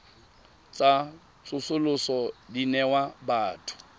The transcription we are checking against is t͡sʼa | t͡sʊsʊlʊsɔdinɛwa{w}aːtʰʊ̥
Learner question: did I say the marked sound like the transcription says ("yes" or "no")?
no